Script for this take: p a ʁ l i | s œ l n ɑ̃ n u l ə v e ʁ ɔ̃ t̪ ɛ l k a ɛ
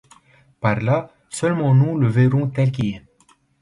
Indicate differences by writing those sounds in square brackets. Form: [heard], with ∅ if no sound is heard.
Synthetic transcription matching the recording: p a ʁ l [a] | s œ l [m] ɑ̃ n u l ə v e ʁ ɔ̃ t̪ ɛ l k [i] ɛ

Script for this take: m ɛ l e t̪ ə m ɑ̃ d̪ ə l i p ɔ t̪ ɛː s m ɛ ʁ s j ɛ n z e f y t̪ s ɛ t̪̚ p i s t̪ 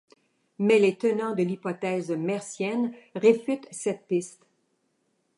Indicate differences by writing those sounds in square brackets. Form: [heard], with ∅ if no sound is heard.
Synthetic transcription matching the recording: m ɛ l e t̪ ə [n] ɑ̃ d̪ ə l i p ɔ t̪ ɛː [z] m ɛ ʁ s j ɛ n [ʁ] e f y t̪ s ɛ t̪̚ p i s t̪

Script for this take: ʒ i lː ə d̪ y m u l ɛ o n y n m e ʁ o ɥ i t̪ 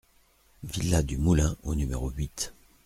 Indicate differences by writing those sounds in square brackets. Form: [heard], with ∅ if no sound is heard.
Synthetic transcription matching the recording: [v] i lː [a] d̪ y m u l [ɛ̃] o n y [∅] m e ʁ o ɥ i t̪

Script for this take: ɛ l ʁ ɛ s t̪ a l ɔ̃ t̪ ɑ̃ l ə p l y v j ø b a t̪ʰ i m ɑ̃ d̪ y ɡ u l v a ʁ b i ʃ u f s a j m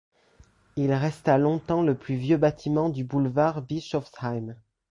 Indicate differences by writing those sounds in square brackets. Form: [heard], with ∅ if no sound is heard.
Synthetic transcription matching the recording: [i] l ʁ ɛ s t̪ a l ɔ̃ t̪ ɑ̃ l ə p l y v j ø b a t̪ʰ i m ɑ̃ d̪ y [b] u l v a ʁ b i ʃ [ɔ] f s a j m

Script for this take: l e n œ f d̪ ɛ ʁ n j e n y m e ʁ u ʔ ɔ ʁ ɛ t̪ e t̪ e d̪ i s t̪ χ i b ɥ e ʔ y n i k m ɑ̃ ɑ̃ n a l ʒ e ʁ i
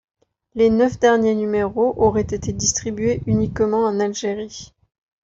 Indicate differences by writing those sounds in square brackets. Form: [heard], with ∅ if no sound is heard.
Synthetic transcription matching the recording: l e n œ f d̪ ɛ ʁ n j e n y m e ʁ [o] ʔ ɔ ʁ ɛ t̪ e t̪ e d̪ i s t̪ χ i b ɥ e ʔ y n i k m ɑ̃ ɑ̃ n a l ʒ e ʁ i

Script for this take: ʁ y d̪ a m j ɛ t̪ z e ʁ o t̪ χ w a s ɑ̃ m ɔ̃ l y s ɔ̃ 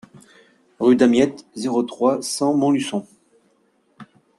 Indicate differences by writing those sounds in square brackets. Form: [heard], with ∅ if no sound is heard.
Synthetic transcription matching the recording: ʁ y d̪ a m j ɛ t̪ z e ʁ o t̪ χ w a s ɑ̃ m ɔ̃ l y s ɔ̃

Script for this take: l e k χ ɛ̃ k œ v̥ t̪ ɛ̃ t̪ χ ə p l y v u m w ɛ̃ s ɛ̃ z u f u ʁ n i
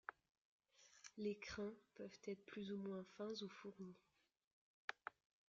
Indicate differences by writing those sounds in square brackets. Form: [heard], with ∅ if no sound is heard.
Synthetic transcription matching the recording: l e k χ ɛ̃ [p] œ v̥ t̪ [ɛ] t̪ χ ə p l y [z] u m w ɛ̃ [f] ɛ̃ z u f u ʁ n i

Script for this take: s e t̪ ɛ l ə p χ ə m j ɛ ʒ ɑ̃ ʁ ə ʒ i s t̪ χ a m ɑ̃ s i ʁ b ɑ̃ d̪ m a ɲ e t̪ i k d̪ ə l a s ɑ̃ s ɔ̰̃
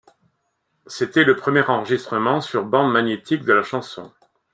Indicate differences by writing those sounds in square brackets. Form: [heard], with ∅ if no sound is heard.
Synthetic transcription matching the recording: s e t̪ ɛ l ə p χ ə m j ɛ [ʁ] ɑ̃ ʁ ə ʒ i s t̪ χ [ə] m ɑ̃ s [y] ʁ b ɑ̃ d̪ m a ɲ e t̪ i k d̪ ə l a [ʃ] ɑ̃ s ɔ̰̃

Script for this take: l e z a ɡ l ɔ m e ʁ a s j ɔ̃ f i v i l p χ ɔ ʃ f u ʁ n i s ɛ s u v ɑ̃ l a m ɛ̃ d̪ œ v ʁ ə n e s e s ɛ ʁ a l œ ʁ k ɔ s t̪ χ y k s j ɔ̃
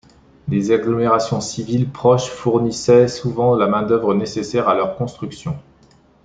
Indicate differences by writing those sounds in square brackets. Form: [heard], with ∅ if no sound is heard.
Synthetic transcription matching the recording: l e z a ɡ l ɔ m e ʁ a s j ɔ̃ [s] i v i l p χ ɔ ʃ f u ʁ n i s ɛ s u v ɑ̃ l a m ɛ̃ d̪ œ v ʁ ə n e s e s ɛ ʁ a l œ ʁ k [ɔ̃] s t̪ χ y k s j ɔ̃

